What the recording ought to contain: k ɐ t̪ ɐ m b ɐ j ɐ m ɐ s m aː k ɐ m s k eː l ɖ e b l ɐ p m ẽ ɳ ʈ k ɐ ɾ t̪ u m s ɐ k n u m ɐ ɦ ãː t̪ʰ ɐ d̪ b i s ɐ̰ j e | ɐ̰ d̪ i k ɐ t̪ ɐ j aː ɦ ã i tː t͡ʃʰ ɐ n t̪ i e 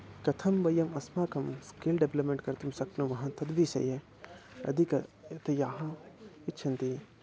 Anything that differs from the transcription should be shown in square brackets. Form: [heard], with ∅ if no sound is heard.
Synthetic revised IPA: k ɐ [t̪ʰ] ɐ m b ɐ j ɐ m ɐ s m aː k ɐ m s k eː l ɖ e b l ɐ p m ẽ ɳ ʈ k ɐ ɾ t̪ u m s ɐ k n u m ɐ ɦ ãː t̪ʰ ɐ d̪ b i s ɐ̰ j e | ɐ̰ d̪ i k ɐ t̪ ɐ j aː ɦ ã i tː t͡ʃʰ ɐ n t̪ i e